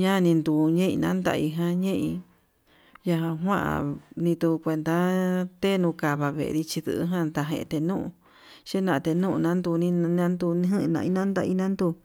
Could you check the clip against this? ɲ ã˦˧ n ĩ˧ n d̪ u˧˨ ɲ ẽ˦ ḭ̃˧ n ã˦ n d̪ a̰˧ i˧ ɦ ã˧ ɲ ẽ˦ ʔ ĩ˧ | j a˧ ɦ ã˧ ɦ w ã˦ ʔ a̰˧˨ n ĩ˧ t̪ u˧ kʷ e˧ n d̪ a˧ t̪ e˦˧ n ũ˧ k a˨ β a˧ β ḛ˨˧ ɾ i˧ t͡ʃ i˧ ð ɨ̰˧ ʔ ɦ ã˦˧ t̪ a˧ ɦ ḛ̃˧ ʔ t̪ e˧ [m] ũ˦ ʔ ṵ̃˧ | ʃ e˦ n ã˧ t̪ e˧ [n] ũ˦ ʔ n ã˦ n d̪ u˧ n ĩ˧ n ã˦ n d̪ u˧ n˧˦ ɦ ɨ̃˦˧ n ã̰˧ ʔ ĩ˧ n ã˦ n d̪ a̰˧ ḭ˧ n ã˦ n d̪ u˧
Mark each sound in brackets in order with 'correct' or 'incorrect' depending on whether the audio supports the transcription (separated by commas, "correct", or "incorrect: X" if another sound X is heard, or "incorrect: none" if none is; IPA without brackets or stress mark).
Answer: incorrect: n, correct